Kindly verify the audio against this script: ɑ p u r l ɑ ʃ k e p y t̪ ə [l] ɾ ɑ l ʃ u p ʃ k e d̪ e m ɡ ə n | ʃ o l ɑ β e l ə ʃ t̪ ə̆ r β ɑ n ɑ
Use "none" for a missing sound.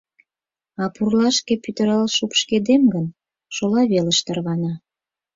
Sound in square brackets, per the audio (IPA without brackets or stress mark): none